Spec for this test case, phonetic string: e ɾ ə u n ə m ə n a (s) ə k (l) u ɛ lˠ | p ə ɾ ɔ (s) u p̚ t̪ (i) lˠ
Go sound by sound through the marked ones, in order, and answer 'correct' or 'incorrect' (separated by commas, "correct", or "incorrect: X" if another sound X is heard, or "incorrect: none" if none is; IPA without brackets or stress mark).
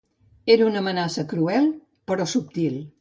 correct, incorrect: ɾ, correct, correct